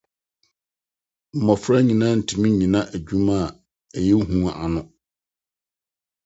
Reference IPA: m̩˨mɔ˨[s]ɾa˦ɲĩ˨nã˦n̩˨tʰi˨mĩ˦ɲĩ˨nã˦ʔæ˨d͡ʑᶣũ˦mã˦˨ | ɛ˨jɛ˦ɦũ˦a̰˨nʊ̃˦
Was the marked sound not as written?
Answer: yes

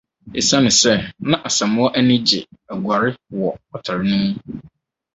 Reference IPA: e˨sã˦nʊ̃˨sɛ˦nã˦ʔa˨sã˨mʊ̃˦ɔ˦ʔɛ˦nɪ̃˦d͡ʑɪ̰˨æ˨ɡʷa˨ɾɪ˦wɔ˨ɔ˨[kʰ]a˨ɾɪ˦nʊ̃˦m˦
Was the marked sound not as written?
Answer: yes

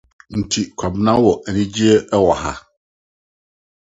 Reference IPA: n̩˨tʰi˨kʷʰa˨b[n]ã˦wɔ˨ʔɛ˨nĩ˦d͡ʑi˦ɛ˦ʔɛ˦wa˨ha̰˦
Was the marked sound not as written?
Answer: no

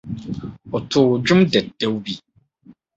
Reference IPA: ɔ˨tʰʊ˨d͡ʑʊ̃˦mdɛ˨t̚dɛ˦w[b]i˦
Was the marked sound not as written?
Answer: no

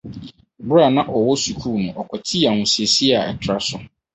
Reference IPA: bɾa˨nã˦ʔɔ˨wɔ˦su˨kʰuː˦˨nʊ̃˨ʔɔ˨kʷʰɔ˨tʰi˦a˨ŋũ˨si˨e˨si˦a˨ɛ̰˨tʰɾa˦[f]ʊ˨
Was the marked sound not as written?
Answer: yes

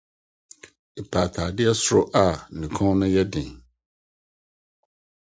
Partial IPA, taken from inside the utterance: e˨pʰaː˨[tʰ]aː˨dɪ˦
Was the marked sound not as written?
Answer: no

